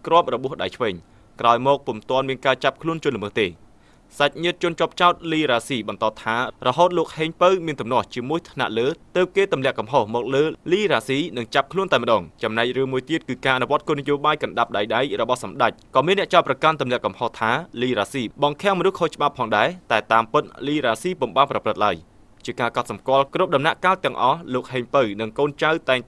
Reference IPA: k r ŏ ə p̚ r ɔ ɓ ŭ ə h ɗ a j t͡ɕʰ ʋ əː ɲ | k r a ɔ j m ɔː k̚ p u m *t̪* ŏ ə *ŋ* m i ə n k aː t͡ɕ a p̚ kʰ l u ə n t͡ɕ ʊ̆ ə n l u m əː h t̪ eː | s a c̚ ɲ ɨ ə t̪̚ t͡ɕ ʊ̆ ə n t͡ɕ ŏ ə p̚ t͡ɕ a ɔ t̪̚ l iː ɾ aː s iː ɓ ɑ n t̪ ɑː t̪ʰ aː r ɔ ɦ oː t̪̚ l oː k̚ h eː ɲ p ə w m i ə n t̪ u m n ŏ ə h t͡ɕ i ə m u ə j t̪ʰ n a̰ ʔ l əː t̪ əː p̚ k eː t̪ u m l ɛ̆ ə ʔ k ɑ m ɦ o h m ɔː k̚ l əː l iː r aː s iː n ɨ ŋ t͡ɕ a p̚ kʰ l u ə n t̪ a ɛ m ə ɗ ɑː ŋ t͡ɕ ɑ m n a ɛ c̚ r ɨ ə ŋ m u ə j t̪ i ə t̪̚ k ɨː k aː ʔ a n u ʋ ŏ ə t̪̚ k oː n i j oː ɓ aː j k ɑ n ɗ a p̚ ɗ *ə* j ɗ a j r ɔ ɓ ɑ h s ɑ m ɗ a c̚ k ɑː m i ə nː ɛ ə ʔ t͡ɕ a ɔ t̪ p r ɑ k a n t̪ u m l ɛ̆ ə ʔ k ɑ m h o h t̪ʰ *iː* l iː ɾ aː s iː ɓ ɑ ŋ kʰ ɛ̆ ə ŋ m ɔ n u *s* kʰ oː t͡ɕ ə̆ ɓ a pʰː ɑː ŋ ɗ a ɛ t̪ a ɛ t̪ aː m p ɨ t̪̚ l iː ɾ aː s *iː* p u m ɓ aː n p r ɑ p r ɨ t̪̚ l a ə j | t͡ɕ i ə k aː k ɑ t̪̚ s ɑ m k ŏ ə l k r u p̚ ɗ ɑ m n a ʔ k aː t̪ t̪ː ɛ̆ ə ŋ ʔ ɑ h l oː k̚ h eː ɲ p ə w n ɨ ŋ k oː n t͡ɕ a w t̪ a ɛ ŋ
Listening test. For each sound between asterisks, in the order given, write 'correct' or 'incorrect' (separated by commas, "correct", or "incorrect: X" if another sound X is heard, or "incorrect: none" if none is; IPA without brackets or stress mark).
correct, incorrect: n, incorrect: a, incorrect: aː, incorrect: h, correct